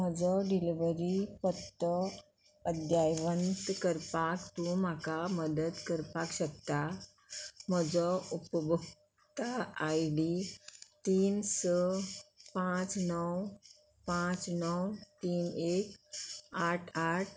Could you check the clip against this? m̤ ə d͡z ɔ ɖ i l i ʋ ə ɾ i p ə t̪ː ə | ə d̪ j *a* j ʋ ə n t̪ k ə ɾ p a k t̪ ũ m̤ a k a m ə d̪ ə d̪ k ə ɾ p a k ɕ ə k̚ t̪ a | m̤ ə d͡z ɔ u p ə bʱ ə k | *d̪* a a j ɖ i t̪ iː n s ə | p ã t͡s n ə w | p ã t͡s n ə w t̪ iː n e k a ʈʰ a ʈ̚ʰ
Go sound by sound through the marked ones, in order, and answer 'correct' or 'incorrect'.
correct, incorrect: t̪

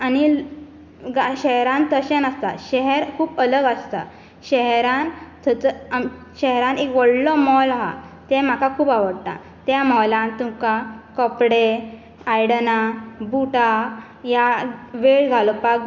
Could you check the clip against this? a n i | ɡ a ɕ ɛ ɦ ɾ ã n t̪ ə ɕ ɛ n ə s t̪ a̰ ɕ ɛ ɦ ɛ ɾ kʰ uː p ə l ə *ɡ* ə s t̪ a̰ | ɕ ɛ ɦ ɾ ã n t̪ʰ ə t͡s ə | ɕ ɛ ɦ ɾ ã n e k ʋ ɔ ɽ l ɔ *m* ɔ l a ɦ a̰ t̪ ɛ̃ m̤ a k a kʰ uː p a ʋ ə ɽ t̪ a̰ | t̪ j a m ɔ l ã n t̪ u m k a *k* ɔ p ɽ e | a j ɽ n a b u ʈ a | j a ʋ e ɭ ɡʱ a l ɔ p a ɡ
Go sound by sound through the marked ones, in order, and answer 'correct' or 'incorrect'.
correct, correct, correct

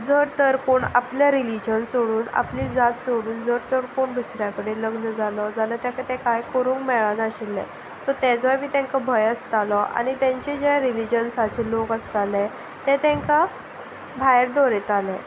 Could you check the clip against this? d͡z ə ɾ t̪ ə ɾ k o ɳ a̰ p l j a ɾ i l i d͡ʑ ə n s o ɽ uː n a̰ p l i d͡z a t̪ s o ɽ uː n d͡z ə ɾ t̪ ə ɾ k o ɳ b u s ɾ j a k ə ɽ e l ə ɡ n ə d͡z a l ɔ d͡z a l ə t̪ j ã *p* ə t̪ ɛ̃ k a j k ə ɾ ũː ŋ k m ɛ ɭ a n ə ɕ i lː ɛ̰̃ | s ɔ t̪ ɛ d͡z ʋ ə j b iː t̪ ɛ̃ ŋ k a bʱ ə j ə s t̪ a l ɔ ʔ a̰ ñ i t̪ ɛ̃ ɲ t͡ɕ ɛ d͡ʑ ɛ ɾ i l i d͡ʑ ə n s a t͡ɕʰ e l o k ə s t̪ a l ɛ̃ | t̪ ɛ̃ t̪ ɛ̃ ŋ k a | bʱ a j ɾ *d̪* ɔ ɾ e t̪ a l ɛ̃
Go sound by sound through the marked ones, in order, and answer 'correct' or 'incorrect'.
incorrect: k, correct

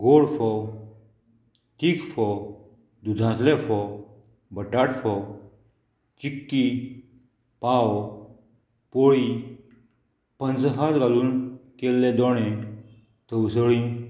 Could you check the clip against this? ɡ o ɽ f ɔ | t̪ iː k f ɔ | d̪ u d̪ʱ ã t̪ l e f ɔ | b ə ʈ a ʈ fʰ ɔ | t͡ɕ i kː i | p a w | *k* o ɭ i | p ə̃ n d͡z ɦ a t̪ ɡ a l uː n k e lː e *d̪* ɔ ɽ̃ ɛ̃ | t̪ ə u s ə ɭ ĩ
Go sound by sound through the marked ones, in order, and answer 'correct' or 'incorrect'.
incorrect: p, correct

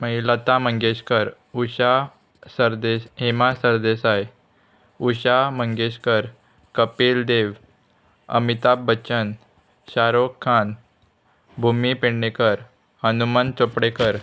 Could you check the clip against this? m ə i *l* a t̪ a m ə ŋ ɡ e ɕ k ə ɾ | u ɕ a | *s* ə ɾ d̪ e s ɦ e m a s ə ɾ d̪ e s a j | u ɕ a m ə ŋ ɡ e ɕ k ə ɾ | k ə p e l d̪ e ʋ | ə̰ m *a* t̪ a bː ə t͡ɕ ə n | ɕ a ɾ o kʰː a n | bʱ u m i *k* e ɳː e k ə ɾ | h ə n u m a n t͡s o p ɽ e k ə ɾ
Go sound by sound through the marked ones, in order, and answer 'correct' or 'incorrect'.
correct, correct, incorrect: i, incorrect: p

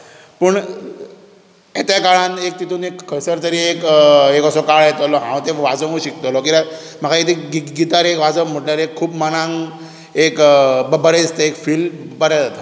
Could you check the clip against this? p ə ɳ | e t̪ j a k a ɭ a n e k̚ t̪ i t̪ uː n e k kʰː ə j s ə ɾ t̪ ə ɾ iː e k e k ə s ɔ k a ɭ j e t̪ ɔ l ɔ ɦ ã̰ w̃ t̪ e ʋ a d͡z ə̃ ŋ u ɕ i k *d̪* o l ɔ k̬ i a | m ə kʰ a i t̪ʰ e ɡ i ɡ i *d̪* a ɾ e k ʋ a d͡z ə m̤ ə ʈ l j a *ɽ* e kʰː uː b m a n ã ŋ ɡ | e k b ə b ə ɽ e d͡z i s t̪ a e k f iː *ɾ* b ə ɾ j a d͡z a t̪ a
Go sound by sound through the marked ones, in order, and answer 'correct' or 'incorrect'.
incorrect: t̪, incorrect: t̪, incorrect: ɾ, incorrect: l

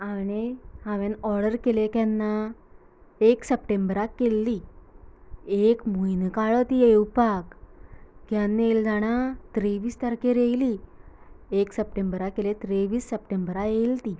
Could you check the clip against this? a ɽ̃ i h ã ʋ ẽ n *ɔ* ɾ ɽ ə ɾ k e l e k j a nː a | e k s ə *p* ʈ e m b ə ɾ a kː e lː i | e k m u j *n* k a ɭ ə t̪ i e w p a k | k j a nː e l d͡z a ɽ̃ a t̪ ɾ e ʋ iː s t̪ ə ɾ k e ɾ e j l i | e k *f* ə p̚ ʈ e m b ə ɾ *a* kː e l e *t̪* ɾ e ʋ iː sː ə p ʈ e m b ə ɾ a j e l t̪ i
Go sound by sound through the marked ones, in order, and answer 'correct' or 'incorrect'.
correct, correct, correct, incorrect: s, correct, correct

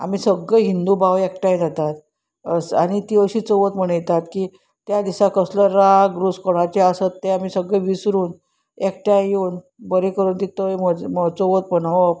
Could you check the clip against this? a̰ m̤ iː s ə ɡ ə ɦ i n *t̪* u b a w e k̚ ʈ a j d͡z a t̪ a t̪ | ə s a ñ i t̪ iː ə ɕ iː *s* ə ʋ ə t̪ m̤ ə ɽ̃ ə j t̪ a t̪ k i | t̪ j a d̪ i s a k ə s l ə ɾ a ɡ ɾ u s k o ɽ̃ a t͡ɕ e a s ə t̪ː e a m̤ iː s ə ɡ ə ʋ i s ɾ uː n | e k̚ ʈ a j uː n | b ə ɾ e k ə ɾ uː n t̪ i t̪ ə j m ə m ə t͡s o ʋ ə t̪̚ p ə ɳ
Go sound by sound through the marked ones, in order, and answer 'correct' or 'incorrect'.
incorrect: d̪, incorrect: t͡s

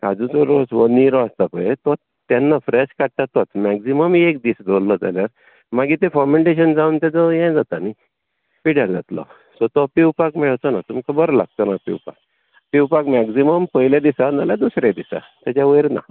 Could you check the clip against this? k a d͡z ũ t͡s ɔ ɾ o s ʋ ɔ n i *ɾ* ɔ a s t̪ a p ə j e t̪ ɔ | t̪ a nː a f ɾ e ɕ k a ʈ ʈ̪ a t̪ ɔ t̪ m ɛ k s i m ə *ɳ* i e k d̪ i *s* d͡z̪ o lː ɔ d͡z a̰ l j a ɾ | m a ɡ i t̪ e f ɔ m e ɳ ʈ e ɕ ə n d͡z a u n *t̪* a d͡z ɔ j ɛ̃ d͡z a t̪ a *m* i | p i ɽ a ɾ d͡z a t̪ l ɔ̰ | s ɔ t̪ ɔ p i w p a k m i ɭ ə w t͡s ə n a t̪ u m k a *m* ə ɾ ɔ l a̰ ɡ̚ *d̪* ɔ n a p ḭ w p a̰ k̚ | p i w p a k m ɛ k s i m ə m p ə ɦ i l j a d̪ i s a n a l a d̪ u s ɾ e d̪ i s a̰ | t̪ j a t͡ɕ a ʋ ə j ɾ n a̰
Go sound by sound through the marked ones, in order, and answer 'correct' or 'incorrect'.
correct, incorrect: m, correct, correct, incorrect: n, incorrect: b, incorrect: t̪

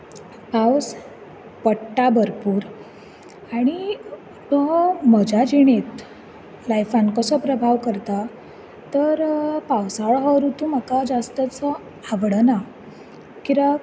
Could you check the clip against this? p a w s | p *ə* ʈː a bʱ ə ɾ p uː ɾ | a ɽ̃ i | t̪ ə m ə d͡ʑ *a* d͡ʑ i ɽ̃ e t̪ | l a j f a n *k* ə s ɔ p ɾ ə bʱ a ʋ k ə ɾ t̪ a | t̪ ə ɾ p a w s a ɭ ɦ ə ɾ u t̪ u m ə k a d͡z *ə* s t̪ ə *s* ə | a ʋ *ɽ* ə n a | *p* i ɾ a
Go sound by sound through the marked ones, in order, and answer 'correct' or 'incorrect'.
correct, correct, correct, incorrect: a, incorrect: t͡s, correct, incorrect: k

